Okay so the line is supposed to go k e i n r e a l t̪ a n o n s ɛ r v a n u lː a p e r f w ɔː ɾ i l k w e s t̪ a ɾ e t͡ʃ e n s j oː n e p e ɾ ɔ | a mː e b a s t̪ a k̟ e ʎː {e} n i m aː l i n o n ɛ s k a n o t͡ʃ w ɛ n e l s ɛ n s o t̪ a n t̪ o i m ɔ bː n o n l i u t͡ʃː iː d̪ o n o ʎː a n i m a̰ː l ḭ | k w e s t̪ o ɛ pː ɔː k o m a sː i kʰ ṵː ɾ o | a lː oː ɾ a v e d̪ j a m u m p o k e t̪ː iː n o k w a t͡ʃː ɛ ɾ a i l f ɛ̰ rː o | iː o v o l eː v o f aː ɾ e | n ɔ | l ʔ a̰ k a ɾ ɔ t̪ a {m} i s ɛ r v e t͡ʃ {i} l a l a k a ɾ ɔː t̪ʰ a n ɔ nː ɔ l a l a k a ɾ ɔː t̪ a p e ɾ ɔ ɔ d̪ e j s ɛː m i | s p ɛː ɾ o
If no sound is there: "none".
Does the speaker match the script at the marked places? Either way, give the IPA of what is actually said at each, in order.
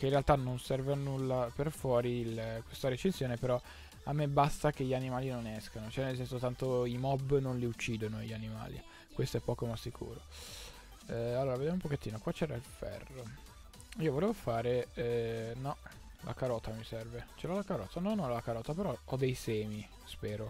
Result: a, m, e

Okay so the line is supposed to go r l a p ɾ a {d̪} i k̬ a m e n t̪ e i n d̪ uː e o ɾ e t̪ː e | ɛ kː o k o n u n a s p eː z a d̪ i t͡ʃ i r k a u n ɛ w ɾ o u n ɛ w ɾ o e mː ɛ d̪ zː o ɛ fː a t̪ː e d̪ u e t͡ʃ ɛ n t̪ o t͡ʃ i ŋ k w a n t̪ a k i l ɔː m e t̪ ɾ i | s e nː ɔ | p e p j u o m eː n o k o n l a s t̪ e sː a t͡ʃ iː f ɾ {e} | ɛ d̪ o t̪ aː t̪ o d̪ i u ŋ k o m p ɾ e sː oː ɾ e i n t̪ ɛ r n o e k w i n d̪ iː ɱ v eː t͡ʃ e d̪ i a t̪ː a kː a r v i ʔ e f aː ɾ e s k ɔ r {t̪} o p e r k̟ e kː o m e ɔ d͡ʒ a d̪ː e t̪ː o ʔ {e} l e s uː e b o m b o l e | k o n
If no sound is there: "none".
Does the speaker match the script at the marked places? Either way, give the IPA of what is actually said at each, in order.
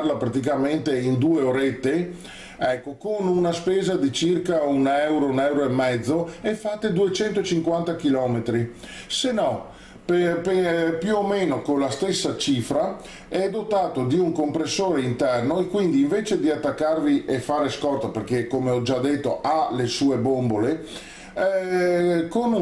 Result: t̪, a, t̪, a

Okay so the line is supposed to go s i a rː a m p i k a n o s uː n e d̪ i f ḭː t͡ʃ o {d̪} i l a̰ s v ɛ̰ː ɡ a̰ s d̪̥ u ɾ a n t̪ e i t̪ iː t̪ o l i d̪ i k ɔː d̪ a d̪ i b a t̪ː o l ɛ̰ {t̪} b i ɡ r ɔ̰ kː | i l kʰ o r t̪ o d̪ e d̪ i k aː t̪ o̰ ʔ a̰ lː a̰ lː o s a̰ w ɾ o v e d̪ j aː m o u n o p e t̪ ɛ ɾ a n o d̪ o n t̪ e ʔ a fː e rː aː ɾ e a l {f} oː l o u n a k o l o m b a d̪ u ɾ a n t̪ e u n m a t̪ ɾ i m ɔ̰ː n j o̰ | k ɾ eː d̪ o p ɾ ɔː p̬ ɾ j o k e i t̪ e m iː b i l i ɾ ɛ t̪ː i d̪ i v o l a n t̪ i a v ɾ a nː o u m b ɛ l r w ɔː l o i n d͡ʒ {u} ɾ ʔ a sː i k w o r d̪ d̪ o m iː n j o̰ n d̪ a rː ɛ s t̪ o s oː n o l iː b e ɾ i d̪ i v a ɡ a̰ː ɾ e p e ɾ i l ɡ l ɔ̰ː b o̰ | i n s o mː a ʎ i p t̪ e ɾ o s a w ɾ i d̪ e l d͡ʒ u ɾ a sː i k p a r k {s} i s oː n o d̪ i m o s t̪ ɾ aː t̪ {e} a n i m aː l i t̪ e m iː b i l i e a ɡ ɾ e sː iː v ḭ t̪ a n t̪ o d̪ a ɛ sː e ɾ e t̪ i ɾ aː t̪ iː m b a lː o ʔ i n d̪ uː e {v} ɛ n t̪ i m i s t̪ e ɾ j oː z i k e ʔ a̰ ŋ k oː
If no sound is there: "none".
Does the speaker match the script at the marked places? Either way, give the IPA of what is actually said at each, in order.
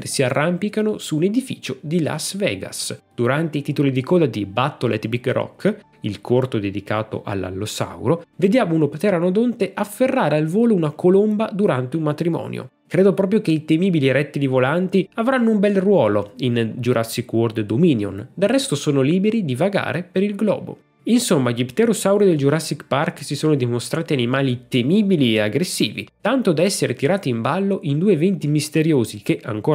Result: d̪, t̪, v, u, s, i, v

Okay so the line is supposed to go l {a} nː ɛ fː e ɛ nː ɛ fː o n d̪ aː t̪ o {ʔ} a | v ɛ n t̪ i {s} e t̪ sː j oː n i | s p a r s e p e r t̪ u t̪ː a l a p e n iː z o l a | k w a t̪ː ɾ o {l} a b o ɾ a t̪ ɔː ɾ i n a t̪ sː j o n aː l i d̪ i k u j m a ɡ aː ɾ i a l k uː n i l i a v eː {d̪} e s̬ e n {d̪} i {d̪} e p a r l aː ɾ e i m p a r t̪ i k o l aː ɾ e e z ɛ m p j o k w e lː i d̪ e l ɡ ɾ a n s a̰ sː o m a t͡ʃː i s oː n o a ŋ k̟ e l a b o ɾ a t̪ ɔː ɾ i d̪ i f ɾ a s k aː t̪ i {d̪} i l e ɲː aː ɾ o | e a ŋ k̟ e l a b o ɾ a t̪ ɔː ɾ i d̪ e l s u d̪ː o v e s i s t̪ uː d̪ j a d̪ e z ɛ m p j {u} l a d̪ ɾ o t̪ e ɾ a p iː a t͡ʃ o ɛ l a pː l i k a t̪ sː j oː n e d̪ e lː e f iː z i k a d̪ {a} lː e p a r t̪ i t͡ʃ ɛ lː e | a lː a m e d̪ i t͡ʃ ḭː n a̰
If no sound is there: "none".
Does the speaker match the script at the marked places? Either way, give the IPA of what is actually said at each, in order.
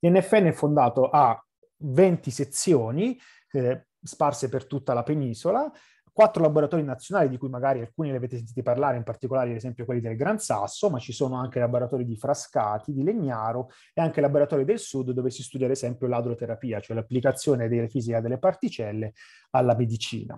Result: ɛ, ʔ, s, l, t̪, t̪, t̪, d̪, o, e

